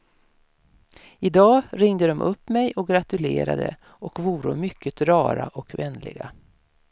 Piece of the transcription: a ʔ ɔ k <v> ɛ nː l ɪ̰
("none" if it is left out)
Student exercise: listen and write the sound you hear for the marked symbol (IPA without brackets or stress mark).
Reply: v